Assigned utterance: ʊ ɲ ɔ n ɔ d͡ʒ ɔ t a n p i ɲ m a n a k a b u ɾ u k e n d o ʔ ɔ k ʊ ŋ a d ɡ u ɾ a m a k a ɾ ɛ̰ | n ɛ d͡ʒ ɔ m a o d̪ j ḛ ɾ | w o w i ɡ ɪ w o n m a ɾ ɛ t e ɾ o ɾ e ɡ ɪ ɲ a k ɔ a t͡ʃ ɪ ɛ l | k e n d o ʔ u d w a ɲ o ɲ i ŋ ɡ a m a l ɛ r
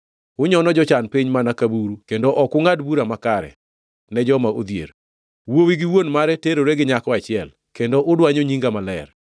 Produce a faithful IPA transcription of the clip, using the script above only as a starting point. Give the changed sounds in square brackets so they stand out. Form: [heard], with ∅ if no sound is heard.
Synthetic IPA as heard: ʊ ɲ ɔ n ɔ d͡ʒ ɔ [t͡ʃ] a n p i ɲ m a n a k a b u ɾ u k e n d o ʔ ɔ k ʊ ŋ a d [b] u ɾ a m a k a ɾ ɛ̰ | n ɛ d͡ʒ ɔ m a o d̪ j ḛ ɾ | w o w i ɡ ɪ w o n m a ɾ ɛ t e ɾ o ɾ e ɡ ɪ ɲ a k ɔ a t͡ʃ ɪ ɛ l | k e n d o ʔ [ʊ] d w a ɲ o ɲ i ŋ ɡ a m a l ɛ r

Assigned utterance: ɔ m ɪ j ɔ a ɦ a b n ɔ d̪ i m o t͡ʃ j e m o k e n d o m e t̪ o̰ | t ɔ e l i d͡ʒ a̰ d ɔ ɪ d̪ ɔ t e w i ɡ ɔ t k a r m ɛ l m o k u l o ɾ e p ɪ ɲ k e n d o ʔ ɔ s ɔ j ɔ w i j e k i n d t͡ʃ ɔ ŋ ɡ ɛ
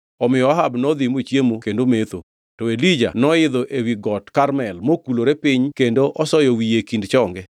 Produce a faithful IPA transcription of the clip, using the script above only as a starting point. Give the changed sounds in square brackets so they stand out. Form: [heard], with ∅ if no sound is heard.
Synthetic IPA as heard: ɔ m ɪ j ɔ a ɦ a b n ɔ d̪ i m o t͡ʃ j e m o k e n d o m e t̪ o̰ | t ɔ e l i d͡ʒ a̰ [n] ɔ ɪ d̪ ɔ [ʔ] e w i ɡ ɔ t k a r m ɛ l m o k u l o ɾ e p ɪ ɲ k e n d o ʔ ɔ s ɔ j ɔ w i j e k i n d t͡ʃ ɔ ŋ ɡ ɛ

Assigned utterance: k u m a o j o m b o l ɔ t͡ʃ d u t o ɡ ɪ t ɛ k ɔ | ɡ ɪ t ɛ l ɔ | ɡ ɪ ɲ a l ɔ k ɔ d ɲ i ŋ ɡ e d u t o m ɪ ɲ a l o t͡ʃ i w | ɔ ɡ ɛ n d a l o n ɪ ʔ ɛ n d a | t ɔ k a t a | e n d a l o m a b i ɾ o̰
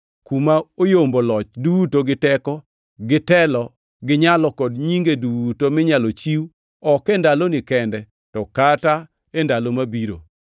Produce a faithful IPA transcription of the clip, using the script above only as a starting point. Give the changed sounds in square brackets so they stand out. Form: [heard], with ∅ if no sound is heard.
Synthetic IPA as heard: k u m a o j o m b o l ɔ t͡ʃ d u t o ɡ ɪ t ɛ k ɔ | ɡ ɪ t ɛ l ɔ | ɡ ɪ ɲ a l ɔ k ɔ d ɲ i ŋ ɡ e d u t o m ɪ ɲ a l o t͡ʃ i w | ɔ [k] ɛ n d a l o n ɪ [k] ɛ n d [ɛ] | t ɔ k a t a | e n d a l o m a b i ɾ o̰

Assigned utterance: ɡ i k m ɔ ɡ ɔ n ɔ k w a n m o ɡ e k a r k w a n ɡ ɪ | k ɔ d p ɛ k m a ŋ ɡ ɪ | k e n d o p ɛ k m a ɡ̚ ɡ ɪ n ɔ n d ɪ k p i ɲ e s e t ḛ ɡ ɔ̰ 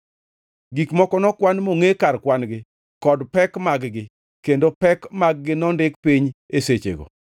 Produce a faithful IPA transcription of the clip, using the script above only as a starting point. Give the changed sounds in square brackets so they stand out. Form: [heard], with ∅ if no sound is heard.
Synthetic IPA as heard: ɡ i k m ɔ [k] ɔ n ɔ k w a n m o [ŋ] e k a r k w a n ɡ ɪ | k ɔ d p ɛ k m a [ɡ] ɡ ɪ | k e n d o p ɛ k m a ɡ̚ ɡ ɪ n ɔ n d ɪ k p i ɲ e s e [t͡ʃ] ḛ ɡ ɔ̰

